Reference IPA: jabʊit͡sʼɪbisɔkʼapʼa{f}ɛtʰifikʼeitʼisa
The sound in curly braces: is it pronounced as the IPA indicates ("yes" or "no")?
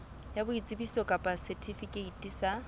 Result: no